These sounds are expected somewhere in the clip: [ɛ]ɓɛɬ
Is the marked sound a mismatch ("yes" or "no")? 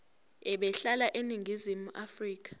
no